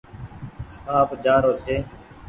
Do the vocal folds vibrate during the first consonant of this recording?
no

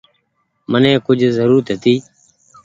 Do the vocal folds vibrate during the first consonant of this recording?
yes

